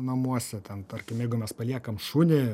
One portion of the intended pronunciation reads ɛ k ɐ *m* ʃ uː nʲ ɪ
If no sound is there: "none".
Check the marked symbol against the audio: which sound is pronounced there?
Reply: m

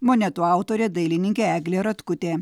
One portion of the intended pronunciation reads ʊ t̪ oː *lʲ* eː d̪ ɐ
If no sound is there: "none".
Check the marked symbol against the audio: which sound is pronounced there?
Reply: ɾʲ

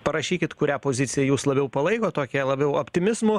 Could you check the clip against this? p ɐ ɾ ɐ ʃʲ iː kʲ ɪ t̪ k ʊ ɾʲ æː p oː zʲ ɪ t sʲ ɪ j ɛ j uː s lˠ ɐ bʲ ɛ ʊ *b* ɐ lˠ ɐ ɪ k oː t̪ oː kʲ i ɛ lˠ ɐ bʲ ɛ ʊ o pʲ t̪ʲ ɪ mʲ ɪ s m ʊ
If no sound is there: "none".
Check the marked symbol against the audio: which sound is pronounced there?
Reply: p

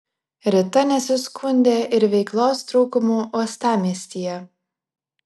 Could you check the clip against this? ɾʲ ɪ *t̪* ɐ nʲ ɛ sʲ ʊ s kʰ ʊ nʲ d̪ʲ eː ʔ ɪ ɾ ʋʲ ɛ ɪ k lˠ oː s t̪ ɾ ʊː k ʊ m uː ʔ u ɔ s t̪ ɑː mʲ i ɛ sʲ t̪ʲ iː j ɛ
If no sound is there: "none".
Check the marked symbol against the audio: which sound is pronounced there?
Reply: t̪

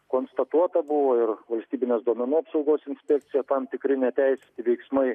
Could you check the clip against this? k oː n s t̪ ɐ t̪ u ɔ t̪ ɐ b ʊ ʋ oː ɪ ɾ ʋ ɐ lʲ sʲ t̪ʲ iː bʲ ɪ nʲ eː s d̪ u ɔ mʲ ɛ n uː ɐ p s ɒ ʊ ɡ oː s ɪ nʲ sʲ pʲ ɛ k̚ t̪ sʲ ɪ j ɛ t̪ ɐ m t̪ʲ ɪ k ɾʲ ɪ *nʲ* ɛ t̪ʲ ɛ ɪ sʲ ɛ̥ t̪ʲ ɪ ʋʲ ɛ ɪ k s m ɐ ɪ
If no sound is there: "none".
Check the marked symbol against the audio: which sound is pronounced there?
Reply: nʲ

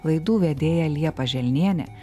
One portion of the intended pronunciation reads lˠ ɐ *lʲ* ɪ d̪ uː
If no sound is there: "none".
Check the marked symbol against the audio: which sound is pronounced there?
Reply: none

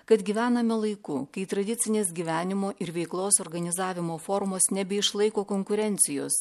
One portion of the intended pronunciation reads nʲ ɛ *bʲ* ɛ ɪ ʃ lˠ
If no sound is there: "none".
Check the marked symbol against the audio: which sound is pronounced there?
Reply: bʲ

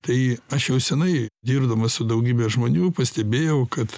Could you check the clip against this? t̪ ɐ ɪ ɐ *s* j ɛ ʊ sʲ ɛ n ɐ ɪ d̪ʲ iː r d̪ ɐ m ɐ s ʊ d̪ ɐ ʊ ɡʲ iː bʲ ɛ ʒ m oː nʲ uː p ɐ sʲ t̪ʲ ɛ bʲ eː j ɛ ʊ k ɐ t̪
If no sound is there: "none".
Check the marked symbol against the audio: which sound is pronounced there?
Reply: ʃ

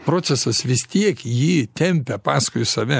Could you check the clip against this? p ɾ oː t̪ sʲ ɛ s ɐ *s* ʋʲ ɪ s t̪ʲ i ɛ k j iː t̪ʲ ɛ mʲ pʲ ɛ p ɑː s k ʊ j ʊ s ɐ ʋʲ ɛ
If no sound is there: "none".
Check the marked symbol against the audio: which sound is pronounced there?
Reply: s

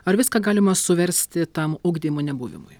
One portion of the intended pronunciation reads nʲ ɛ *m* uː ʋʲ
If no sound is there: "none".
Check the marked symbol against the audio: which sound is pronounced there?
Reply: b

